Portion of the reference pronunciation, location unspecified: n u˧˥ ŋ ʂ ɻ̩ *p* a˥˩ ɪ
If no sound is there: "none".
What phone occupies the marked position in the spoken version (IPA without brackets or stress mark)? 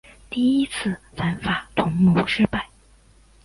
p